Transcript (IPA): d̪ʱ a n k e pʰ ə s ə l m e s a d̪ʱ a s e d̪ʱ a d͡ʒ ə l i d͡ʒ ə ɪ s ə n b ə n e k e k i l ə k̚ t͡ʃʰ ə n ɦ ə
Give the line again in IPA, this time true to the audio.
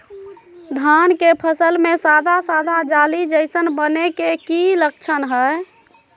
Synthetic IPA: d̪ʱ a n k e pʰ ə s ə l m e s a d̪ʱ a s a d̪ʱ a d͡ʒ a l i d͡ʒ ə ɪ s ə n b ə n e k e k i l ə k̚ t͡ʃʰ ə n ɦ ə